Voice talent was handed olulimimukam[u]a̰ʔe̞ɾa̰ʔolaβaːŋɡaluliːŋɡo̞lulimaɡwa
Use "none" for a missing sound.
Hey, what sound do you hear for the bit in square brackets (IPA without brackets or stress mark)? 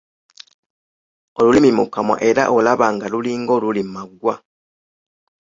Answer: w